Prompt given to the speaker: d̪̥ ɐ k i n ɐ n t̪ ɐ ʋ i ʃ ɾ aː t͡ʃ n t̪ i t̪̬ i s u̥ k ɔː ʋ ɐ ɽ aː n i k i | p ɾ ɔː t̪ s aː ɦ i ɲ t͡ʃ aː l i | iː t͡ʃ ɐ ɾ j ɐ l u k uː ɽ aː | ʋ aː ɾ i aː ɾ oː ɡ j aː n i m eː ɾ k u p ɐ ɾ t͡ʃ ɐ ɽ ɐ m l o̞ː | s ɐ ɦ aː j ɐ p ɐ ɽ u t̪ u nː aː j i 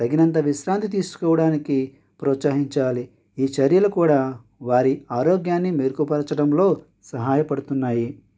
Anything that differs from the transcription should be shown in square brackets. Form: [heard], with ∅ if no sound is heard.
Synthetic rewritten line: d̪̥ ɐ [ɡ] i n ɐ n t̪ ɐ ʋ i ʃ ɾ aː [∅] n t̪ i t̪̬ [iː] s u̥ k ɔː ʋ ɐ ɽ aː n i k i | p ɾ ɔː t̪ s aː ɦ i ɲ t͡ʃ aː l i | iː t͡ʃ ɐ ɾ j ɐ l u k uː ɽ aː | ʋ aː ɾ i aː ɾ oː ɡ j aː [nː] i m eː ɾ k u p ɐ ɾ t͡ʃ ɐ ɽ ɐ m l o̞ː | s ɐ ɦ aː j ɐ p ɐ ɽ u t̪ u nː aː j i